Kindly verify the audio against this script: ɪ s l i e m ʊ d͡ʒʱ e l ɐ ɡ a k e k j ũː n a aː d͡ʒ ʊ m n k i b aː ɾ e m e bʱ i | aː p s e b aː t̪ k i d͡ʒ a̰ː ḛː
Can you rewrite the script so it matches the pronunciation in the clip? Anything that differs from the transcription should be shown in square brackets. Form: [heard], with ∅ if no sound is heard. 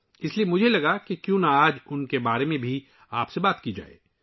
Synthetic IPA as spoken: ɪ s l i e m ʊ d͡ʒʱ e l ɐ ɡ a k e k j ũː n a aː d͡ʒ ʊ [∅] n k [e] b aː ɾ e m [ẽ] bʱ i | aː p s e b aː t̪ k i d͡ʒ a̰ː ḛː